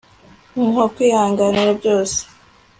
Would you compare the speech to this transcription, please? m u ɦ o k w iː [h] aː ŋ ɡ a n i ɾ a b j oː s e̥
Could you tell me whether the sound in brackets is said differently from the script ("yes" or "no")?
no